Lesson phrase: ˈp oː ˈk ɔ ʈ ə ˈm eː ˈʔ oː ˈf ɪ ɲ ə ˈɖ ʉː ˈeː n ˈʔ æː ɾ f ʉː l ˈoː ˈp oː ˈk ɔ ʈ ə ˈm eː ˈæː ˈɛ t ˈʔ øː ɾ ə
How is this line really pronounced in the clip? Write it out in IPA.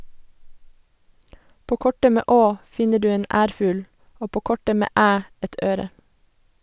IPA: ˈp oː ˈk ɔ ʈ ə ˈm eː ˈʔ oː ˈf ɪ ɲ ə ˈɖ ʉː ˈeː n ˈʔ æː ɾ f ʉː l ˈoː ˈp oː ˈk ɔ ʈ ə ˈm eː ˈæː ˈɛ t ˈʔ øː ɾ ə